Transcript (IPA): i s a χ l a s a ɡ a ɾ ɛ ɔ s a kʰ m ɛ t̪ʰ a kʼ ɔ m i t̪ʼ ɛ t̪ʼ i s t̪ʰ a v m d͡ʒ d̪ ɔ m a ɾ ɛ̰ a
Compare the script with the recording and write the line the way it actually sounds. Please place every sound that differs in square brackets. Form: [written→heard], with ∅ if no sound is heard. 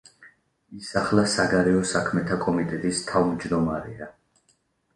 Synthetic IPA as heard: i s a χ l a s a ɡ a ɾ ɛ ɔ s a kʰ m ɛ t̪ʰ a kʼ ɔ m i t̪ʼ ɛ t̪ʼ i s t̪ʰ a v m d͡ʒ d̪ ɔ m a ɾ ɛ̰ a